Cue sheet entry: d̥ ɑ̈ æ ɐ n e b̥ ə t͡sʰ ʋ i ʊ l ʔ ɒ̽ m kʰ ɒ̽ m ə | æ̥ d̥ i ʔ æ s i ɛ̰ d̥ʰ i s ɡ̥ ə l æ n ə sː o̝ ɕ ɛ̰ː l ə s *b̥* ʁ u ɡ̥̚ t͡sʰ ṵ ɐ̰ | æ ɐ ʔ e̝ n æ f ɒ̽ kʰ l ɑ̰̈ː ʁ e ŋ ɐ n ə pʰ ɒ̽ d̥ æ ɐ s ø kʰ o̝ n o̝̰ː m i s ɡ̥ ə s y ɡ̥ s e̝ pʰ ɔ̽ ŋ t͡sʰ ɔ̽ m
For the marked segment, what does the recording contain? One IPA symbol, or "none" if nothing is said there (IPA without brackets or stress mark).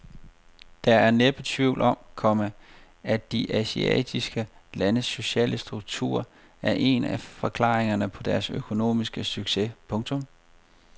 d̥